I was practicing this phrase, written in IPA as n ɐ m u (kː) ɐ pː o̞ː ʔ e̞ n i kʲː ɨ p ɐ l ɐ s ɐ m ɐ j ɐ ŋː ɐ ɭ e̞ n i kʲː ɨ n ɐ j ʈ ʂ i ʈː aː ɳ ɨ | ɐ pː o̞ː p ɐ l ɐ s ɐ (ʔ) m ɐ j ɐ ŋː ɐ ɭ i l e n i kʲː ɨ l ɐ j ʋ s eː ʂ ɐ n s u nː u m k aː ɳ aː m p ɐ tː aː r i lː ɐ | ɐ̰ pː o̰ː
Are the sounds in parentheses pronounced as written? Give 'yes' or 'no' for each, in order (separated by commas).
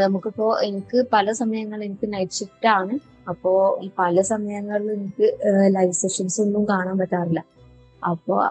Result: yes, no